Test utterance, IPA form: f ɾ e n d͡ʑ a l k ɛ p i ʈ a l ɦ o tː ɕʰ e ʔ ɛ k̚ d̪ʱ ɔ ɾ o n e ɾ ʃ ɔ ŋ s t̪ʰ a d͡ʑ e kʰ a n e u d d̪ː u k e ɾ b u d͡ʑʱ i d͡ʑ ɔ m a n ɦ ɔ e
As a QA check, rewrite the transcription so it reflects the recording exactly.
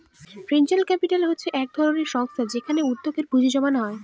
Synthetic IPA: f ɾ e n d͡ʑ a l k ɛ p i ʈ a l ɦ o tː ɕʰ e ʔ ɛ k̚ d̪ʱ ɔ ɾ o n e ɾ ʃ ɔ ŋ s t̪ʰ a d͡ʑ e kʰ a n e u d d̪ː o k e ɾ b u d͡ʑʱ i d͡ʑ ɔ m a n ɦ ɔ e